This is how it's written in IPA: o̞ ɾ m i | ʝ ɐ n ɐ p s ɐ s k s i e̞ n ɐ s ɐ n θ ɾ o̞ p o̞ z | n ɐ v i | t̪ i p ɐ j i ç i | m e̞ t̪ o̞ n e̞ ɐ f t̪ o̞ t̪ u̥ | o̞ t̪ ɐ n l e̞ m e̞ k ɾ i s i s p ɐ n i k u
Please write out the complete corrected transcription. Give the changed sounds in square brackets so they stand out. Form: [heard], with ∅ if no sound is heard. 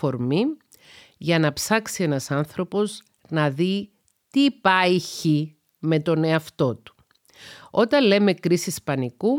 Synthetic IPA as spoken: o̞ ɾ m i | ʝ ɐ n ɐ p s ɐ [∅] k s i e̞ n ɐ s ɐ n θ ɾ o̞ p o̞ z | n ɐ [ð] i | t̪ i p ɐ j i ç i | m e̞ t̪ o̞ n e̞ ɐ f t̪ o̞ t̪ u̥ | o̞ t̪ ɐ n l e̞ m e̞ k ɾ i s i s p ɐ n i k u